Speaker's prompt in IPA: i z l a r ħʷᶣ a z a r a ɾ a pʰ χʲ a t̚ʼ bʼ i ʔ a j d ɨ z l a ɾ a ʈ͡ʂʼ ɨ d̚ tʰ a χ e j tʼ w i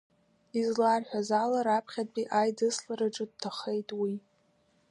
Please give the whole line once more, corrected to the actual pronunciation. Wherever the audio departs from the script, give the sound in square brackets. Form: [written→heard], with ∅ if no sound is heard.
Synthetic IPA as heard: i z l a r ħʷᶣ a z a [r→l] a ɾ a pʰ χʲ a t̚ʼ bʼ i ʔ a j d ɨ [z→s] l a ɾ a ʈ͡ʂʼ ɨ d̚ tʰ a χ e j tʼ w i

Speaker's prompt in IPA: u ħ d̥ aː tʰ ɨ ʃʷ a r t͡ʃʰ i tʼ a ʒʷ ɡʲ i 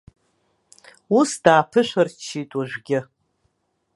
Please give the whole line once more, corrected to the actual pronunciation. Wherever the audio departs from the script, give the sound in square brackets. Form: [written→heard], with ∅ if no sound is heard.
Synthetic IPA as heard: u [ħ→s] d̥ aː [tʰ→pʰ] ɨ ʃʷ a r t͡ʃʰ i tʼ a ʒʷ ɡʲ [i→ɪ]

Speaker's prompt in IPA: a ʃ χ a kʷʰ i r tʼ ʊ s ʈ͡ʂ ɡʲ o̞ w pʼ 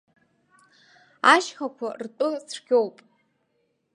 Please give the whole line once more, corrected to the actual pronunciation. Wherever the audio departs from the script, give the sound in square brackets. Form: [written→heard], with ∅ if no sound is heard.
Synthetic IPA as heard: a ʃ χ a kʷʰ [i→a] r tʼ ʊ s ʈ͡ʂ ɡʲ o̞ w pʼ

